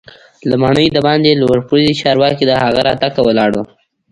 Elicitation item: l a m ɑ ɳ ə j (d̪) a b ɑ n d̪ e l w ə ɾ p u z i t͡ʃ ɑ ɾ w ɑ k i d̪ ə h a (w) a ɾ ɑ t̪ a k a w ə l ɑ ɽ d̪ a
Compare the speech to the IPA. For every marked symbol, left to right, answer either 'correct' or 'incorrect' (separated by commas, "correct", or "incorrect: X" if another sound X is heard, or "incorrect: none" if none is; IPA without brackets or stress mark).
correct, incorrect: ɣ